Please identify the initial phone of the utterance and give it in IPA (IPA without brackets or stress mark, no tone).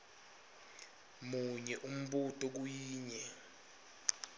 m